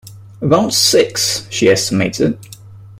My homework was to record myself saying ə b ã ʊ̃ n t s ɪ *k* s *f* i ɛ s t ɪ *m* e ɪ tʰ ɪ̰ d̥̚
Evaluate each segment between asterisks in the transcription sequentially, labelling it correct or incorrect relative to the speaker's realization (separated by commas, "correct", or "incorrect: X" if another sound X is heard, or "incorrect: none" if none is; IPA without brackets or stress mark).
correct, incorrect: ʃ, correct